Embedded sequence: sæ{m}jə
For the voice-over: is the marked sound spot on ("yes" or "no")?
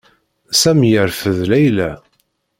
yes